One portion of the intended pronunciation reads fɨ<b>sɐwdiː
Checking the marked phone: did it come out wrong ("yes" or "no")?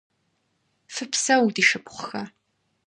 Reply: yes